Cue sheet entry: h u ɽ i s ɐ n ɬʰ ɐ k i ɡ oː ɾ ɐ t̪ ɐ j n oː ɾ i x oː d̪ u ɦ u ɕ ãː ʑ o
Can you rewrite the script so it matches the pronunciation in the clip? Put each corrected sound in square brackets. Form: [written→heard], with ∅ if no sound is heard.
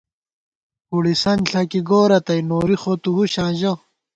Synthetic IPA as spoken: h u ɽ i s ɐ n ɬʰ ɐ k i ɡ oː ɾ ɐ t̪ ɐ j n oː ɾ i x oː [d̪→t̪] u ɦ u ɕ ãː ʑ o